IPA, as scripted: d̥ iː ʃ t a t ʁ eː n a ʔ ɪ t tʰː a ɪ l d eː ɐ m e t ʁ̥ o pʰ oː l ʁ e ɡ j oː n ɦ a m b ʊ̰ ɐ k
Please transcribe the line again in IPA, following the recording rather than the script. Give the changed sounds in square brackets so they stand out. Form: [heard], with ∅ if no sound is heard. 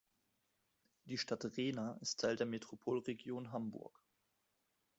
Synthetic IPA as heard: d̥ iː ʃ t a t ʁ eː n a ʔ ɪ [s] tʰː a ɪ l d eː ɐ m e t ʁ̥ o pʰ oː l ʁ e ɡ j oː n ɦ a m b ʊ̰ ɐ k